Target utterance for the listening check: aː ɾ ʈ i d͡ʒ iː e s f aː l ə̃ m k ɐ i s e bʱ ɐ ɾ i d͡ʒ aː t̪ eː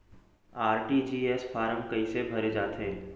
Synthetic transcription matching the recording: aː ɾ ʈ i d͡ʒ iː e s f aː ɾ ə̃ m k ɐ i s e bʱ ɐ ɾ e d͡ʒ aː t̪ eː